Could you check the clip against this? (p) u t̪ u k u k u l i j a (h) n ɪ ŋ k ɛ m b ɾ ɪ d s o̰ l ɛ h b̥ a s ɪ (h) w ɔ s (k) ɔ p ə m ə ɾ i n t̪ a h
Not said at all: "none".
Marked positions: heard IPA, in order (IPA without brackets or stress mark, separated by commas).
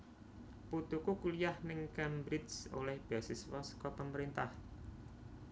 p, h, s, k